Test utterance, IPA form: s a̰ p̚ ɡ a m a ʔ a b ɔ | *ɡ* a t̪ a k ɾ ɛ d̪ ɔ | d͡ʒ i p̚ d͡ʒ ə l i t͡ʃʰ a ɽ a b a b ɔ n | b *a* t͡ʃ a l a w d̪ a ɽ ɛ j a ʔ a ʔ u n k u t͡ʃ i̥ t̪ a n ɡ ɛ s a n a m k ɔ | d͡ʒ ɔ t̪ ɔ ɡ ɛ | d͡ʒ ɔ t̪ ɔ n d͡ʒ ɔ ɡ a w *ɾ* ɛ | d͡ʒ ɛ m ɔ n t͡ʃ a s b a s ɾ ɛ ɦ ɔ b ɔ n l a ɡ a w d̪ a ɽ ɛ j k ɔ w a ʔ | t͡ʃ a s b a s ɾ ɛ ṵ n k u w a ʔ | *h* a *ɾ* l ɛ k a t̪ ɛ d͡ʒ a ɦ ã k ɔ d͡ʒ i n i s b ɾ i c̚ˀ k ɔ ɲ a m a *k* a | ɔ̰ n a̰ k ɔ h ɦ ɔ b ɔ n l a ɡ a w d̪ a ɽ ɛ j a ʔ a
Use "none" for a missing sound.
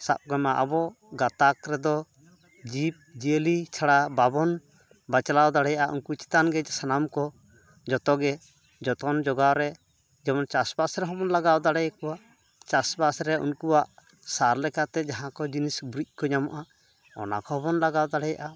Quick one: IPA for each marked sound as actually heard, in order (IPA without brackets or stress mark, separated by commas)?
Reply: ɡ, a, ɾ, s, ɾ, ʔ